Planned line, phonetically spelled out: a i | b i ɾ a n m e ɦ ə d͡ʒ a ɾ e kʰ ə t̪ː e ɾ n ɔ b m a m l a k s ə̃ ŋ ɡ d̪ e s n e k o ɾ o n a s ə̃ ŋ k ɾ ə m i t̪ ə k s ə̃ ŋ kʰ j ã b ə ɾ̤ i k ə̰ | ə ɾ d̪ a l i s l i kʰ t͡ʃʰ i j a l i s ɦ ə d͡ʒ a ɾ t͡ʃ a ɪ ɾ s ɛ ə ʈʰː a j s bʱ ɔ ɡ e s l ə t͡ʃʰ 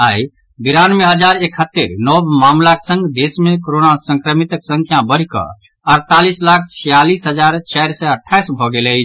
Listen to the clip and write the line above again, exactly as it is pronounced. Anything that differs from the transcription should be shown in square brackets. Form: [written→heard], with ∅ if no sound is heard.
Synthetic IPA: a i | b i ɾ a n m e ɦ ə d͡ʒ a ɾ e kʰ ə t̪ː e ɾ n ɔ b m a m l a k s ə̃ ŋ ɡ d̪ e s [n→m] e k o ɾ o n a s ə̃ ŋ k ɾ ə m i t̪ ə k s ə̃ ŋ kʰ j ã b ə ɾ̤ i k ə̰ | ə ɾ [d̪→t̪] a l i s l [i→a] kʰ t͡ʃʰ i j a l i s ɦ ə d͡ʒ a ɾ t͡ʃ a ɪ ɾ s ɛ ə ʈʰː a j s bʱ ɔ ɡ e [s→∅] l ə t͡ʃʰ